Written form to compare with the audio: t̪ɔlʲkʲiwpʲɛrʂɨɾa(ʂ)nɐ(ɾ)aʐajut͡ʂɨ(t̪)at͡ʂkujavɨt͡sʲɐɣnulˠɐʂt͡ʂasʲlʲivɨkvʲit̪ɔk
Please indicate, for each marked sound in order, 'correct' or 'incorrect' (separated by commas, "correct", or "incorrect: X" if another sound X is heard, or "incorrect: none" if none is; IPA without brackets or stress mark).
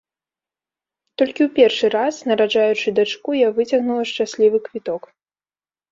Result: incorrect: s, correct, incorrect: d̪